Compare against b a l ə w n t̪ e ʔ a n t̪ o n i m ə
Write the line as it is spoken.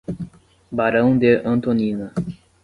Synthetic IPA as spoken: b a ɾ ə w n d̪ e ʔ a n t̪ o n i n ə